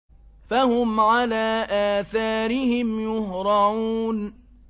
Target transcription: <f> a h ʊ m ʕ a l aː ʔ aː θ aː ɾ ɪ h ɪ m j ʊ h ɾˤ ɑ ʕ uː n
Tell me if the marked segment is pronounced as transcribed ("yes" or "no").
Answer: yes